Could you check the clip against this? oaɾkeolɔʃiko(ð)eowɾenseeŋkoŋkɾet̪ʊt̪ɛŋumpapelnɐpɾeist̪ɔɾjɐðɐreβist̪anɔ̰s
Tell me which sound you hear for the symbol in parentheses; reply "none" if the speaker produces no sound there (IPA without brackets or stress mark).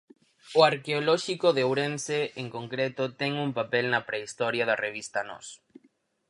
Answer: ð